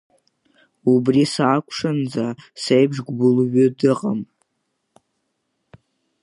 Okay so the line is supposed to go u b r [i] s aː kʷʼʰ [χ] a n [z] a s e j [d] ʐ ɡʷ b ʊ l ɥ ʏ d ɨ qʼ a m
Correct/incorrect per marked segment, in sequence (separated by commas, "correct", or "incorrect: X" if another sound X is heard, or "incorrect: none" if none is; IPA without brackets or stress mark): correct, incorrect: ʂ, incorrect: d͡z, incorrect: b